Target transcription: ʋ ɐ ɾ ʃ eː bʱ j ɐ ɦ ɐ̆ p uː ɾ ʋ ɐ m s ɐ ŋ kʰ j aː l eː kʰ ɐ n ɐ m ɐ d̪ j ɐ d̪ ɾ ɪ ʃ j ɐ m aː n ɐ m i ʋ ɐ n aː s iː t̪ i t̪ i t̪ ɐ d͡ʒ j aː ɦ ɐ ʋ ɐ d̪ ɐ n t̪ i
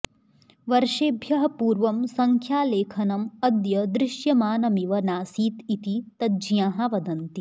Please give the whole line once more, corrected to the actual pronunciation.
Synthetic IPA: ʋ ɐ ɾ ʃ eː bʱ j ɐ ɦ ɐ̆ p uː ɾ ʋ ɐ m s ɐ ŋ kʰ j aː l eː kʰ ɐ n ɐ m ɐ d̪ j ɐ d̪ ɾ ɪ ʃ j ɐ m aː n ɐ m i ʋ ɐ n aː s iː t̪ i t̪ i t̪ ɐ d͡ʒ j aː ɦ ɐ ʋ ɐ d̪ ɐ n t̪ i

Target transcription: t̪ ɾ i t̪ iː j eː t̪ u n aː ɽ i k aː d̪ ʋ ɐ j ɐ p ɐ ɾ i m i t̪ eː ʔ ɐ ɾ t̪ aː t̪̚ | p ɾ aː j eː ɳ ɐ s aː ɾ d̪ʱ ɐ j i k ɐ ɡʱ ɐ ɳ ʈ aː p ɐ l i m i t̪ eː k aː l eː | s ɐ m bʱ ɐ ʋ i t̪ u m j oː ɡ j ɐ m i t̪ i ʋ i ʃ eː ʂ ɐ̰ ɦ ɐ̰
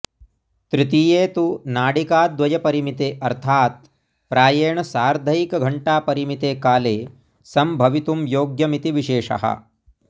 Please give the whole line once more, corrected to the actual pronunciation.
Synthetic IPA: t̪ ɾ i t̪ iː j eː t̪ u n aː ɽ i k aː d̪ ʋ ɐ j ɐ p ɐ ɾ i m i t̪ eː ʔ ɐ ɾ t̪ʰ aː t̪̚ | p ɾ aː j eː ɳ ɐ s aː ɾ d̪ʱ ɐ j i k ɐ ɡʱ ɐ ɳ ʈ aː p ɐ ɾ i m i t̪ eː k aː l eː | s ɐ m bʱ ɐ ʋ i t̪ u m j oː ɡ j ɐ m i t̪ i ʋ i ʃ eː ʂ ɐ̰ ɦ ɐ̰

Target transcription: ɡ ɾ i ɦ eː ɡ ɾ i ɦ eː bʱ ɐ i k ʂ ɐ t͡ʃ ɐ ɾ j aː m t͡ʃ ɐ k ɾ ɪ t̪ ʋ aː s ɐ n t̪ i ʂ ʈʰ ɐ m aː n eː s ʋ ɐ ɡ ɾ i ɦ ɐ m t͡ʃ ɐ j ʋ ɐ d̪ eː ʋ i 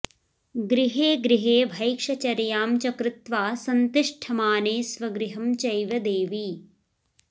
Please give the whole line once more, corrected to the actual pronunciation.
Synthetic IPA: ɡ ɾ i ɦ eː ɡ ɾ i ɦ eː bʱ ɐ j k ʂ ɐ t͡ʃ ɐ ɾ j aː m t͡ʃ ɐ k ɾ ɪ t̪ ʋ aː s ɐ n t̪ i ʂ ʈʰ ɐ m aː n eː s ʋ ɐ ɡ ɾ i ɦ ɐ m t͡ʃ ɐ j ʋ ɐ d̪ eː ʋ i

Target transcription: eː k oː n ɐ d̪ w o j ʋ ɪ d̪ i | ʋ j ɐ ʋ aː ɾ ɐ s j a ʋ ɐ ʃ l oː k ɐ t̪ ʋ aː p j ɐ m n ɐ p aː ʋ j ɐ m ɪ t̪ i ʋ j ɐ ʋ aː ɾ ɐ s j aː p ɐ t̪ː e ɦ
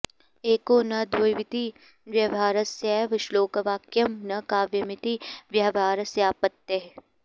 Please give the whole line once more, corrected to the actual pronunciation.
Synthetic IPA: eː k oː n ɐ d̪ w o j ʋ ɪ t̪ i | ʋ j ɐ ʋ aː ɾ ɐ s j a ʋ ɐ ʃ l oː k ɐ ʋ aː k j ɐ m n ɐ k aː ʋ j ɐ m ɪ t̪ i ʋ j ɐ ʋ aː ɾ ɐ s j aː p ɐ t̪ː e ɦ

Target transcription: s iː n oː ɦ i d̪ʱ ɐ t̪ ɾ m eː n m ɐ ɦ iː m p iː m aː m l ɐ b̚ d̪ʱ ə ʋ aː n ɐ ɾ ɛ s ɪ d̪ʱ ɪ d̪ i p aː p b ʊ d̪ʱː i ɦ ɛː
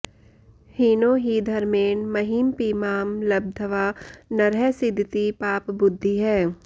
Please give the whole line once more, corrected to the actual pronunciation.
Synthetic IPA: h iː n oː ɦ i d̪ʱ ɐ ɾ m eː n m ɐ ɦ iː m p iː m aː m l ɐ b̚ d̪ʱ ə ʋ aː n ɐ ɾ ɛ s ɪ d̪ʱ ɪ t̪ i p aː p b ʊ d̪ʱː i ɦ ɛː

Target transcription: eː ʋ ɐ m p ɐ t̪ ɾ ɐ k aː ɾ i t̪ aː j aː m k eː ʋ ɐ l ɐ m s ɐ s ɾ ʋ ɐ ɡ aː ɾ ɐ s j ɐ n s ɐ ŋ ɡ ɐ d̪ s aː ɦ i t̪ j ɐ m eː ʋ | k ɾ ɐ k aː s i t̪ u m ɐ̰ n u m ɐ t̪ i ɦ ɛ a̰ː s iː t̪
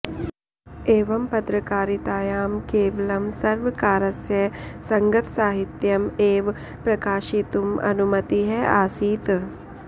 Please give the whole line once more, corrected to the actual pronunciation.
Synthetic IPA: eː ʋ ɐ m p ɐ t̪ ɾ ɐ k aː ɾ i t̪ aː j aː m k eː ʋ ɐ l ɐ m s ɐ ɾ ʋ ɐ k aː ɾ ɐ s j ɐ s ɐ ŋ ɡ ɐ t̪ s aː ɦ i t̪ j ɐ m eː ʋ | p ɾ ɐ k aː ʃ i t̪ u m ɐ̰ n u m ɐ t̪ i ɦ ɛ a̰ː s iː t̪

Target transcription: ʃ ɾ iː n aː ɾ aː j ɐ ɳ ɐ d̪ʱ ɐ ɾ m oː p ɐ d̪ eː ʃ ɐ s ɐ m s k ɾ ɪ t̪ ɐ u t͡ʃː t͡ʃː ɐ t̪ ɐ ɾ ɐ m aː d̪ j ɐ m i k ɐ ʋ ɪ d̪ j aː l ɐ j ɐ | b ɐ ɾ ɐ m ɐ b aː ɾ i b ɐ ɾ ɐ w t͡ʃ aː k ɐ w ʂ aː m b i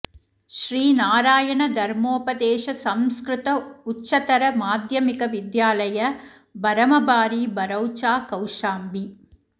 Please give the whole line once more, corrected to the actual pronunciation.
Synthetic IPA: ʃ ɾ iː n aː ɾ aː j ɐ ɳ ɐ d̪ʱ ɐ ɾ m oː p ɐ d̪ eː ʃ ɐ s ɐ m s k ɾ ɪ t̪ ɐ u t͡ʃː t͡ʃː ɐ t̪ ɐ ɾ ɐ m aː d̪ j ɐ m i k ɐ ʋ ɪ d̪ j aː l ɐ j ɐ | b ɐ ɾ ɐ m ɐ b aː ɾ i b ɐ ɾ ɐ w t͡ʃ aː k ɐ w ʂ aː m b i

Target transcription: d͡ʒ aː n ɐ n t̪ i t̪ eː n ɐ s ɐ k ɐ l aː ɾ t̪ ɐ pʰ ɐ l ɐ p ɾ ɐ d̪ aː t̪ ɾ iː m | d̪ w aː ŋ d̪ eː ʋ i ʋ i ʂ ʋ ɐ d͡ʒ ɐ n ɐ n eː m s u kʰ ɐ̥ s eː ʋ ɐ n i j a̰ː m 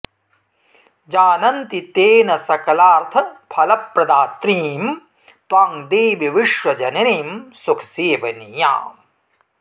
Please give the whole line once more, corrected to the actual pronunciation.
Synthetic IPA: d͡ʒ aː n ɐ n t̪ i t̪ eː n ɐ s ɐ k ɐ l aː ɾ t̪ʰ ɐ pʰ ɐ l ɐ p ɾ ɐ d̪ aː t̪ ɾ iː m | t̪ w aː ŋ d̪ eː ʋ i ʋ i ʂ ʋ ɐ d͡ʒ ɐ n ɐ n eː m s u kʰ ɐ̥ s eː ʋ ɐ n i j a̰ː m

